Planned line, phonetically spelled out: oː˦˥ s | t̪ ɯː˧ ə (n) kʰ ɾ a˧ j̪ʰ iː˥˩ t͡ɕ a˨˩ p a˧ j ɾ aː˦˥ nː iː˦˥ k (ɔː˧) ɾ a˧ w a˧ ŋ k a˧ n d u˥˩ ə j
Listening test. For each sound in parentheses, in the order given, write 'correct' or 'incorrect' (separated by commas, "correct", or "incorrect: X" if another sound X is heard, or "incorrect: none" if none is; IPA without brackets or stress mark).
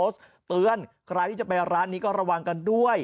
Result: correct, incorrect: ɔː˥˩